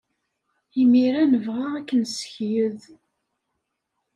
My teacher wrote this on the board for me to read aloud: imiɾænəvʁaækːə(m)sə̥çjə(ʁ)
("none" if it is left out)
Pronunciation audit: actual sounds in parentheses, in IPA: n, ð

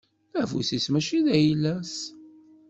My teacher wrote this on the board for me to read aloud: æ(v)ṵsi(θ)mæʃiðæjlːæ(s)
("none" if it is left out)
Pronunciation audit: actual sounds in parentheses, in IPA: v, s, s

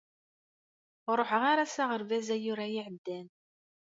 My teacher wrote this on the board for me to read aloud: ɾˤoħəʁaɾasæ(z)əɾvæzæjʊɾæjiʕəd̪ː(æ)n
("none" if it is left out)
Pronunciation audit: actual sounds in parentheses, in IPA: ʁ, æ

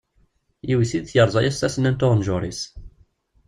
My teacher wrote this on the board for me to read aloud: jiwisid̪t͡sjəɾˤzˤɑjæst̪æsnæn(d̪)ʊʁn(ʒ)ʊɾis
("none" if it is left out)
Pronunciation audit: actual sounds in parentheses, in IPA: t̪, ʒ

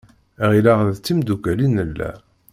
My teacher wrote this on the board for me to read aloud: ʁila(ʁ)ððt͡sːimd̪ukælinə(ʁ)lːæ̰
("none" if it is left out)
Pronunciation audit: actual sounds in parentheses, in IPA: ʁ, none

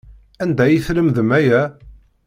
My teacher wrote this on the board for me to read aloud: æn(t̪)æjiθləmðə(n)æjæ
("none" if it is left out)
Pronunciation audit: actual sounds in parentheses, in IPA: d̪, m

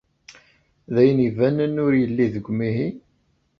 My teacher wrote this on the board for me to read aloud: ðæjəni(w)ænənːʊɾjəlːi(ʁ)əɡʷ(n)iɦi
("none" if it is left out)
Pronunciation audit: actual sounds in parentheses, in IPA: v, ð, m

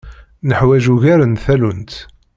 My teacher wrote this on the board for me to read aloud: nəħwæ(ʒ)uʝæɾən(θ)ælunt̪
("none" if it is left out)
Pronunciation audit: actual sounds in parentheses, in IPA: ʒ, θ

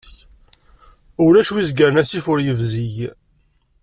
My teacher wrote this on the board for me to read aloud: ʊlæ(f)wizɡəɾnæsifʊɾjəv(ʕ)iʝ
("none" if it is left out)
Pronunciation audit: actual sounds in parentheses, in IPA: ʃ, z

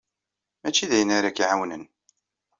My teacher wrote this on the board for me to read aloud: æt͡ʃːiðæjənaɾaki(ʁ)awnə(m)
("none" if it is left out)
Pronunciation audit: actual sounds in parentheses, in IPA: ʕ, n

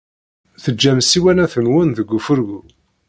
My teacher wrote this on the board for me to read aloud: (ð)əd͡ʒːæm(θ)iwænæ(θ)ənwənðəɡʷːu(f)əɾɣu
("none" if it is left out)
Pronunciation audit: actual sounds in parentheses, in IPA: θ, s, θ, f

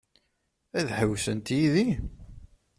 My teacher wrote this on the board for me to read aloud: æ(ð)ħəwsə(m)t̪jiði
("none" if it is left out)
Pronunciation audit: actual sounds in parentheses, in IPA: ð, n

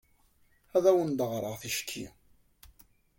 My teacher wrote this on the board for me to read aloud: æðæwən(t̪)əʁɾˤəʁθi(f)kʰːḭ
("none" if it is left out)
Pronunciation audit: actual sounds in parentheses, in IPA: d̪, ʃ

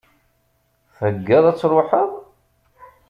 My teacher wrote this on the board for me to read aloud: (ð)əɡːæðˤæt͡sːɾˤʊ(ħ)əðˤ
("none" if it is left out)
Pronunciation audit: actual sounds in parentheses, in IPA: θ, ħ

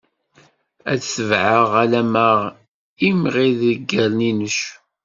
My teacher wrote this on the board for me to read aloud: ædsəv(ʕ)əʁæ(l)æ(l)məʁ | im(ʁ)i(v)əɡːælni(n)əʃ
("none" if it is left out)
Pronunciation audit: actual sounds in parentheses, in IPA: ʕ, l, none, ʁ, ð, n

